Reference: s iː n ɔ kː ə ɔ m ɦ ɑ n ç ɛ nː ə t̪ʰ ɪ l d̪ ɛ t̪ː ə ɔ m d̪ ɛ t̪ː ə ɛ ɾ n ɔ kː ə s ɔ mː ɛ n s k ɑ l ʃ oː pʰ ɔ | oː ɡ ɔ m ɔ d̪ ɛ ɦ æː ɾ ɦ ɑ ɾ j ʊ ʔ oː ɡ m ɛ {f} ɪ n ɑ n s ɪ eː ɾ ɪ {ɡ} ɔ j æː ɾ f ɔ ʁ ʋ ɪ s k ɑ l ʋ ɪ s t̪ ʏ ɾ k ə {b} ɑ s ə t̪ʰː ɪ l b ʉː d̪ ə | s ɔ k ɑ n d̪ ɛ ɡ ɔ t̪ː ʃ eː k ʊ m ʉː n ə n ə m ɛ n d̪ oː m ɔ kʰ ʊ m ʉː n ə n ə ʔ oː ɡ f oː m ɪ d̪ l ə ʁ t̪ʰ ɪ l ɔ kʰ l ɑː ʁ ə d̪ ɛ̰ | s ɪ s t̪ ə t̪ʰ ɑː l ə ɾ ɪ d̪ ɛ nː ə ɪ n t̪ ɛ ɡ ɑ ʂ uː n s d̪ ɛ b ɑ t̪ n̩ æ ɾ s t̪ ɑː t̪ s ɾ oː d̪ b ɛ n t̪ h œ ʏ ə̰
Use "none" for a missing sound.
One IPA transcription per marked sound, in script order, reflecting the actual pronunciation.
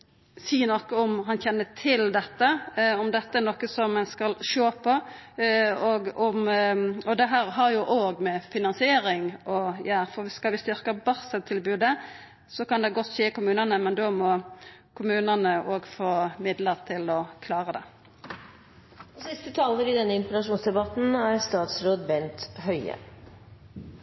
f, ŋ, b

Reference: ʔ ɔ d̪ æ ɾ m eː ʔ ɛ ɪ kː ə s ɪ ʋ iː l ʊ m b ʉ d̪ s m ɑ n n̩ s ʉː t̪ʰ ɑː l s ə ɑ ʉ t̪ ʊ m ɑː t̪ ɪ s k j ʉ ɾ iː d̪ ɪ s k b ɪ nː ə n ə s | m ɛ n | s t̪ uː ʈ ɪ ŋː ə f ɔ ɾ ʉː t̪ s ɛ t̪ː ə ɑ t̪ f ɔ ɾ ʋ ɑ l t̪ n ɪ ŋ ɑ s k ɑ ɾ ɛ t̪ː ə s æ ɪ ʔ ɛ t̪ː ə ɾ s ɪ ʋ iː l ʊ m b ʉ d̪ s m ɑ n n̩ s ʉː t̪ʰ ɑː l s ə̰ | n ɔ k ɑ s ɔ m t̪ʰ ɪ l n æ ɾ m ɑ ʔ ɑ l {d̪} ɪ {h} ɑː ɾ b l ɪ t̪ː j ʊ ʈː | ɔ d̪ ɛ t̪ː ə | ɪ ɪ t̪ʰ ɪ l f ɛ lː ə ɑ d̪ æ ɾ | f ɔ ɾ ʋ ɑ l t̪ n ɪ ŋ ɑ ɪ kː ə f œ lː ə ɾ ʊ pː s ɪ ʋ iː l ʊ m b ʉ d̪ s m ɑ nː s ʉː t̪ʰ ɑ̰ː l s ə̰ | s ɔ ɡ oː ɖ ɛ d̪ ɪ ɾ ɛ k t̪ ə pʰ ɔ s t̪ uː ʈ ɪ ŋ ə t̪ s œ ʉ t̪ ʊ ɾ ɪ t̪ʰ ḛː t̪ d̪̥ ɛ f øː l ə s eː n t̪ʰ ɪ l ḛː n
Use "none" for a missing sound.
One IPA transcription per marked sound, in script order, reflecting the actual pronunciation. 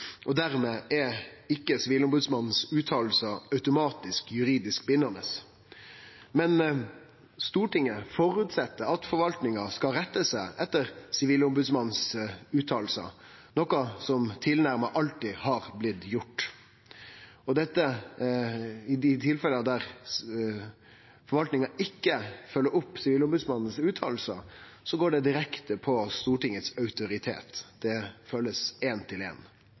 t̪, h

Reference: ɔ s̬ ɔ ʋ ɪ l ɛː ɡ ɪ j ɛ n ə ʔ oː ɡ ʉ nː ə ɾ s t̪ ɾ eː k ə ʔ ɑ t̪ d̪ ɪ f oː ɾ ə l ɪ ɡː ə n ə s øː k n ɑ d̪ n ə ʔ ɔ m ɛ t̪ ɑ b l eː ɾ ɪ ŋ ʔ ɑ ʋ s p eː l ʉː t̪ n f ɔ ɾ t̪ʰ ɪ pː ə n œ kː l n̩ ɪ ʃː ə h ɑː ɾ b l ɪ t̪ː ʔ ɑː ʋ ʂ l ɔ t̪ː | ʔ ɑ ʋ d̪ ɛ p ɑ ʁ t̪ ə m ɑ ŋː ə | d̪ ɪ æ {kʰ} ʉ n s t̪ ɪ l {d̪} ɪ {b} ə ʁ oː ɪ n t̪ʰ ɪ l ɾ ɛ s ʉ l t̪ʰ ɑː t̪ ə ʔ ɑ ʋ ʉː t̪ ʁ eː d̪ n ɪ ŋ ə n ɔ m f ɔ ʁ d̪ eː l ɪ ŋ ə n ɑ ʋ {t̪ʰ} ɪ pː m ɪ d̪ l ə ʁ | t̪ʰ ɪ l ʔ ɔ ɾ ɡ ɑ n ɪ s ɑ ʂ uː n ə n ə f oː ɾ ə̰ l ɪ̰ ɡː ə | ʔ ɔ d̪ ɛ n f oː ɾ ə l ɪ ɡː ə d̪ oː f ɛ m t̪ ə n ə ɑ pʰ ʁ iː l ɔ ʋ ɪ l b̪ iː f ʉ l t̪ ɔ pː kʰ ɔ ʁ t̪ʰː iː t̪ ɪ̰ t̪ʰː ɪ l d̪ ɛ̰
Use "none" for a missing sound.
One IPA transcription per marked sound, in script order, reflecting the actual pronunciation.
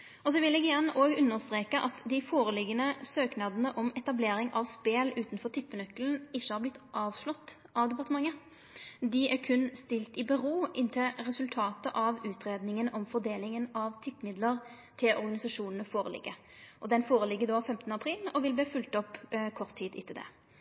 kʰ, t̪, b, t̪ʰ

